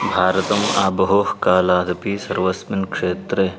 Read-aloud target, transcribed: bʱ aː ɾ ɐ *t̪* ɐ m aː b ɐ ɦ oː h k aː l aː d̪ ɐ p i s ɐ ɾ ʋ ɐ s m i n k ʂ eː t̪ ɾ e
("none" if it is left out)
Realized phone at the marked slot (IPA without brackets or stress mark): t̪